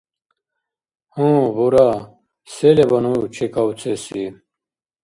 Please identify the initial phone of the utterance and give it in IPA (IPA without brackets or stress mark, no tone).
h